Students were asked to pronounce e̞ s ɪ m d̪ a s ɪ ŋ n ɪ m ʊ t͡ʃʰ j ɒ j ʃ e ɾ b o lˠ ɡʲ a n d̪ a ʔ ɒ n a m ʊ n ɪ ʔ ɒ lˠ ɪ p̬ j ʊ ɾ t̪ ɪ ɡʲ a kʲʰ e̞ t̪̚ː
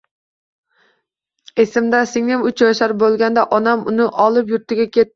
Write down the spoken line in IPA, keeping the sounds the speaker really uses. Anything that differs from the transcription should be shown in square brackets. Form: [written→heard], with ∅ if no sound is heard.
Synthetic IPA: e̞ s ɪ m d̪ a s ɪ ŋ n ɪ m ʊ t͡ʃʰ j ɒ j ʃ [e→a] ɾ b o lˠ ɡʲ a n d̪ a ʔ ɒ n a m ʊ n ɪ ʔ ɒ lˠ ɪ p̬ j ʊ ɾ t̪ ɪ ɡʲ a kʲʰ e̞ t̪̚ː